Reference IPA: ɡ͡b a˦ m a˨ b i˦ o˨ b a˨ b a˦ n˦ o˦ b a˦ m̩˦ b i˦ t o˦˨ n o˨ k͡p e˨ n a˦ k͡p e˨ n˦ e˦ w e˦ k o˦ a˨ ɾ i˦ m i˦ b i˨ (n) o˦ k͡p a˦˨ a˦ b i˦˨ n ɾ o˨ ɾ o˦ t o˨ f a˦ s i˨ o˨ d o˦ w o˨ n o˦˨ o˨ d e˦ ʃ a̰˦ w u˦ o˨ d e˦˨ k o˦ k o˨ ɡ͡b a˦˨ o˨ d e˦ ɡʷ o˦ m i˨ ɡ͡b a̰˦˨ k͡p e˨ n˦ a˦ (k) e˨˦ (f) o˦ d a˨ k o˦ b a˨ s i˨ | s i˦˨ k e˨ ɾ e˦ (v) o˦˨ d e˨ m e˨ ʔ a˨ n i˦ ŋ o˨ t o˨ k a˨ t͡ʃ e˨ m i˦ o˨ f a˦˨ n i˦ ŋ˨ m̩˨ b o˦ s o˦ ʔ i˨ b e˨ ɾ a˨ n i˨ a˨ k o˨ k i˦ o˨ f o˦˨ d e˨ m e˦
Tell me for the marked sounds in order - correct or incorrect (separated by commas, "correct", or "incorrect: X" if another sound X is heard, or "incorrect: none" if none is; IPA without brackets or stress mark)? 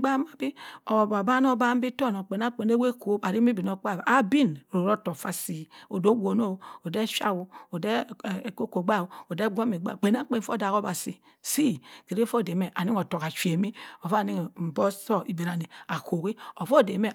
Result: correct, incorrect: k͡p, correct, incorrect: f